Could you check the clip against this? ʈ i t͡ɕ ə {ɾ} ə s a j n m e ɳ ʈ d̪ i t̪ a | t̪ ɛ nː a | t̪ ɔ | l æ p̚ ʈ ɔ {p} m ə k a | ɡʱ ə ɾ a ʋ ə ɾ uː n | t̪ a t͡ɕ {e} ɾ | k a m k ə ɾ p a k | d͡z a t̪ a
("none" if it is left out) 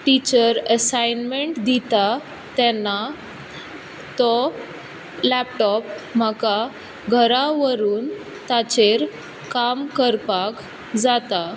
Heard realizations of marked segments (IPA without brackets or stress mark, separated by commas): ɾ, p, e